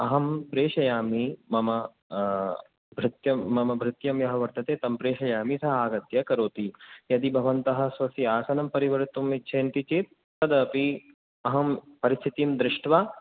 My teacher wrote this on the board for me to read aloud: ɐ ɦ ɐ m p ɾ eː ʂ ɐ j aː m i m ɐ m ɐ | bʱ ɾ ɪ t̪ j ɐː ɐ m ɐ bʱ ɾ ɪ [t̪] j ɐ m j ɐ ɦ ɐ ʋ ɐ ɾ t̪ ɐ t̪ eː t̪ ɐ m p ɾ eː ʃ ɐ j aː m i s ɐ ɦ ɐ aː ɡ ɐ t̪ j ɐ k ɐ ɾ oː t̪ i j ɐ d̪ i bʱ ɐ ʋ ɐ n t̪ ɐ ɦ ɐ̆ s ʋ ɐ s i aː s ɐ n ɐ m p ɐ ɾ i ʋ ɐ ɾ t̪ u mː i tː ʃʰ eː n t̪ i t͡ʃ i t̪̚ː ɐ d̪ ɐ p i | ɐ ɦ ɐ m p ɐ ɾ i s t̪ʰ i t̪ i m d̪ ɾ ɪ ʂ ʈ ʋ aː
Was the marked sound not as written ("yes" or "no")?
no